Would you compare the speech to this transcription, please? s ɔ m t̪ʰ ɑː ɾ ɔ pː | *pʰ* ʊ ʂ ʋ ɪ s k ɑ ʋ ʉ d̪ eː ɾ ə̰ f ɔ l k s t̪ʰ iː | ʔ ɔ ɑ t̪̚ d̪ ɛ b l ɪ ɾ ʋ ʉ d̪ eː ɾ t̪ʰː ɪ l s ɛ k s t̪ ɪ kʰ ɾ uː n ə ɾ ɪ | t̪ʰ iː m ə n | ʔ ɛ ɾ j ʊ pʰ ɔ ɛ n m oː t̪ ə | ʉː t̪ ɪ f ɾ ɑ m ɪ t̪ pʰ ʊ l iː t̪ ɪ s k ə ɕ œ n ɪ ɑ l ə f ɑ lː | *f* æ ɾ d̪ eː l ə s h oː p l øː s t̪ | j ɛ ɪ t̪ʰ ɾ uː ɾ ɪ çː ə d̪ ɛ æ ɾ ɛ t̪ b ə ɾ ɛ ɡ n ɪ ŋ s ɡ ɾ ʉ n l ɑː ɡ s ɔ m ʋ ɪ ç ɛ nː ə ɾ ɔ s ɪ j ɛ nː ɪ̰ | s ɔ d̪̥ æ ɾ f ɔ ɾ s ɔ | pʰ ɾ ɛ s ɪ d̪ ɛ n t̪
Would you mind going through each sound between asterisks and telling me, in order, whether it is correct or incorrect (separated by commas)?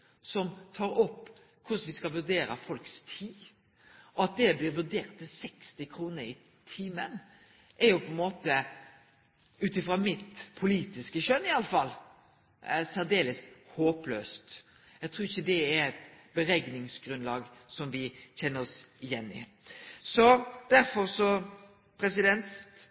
incorrect, incorrect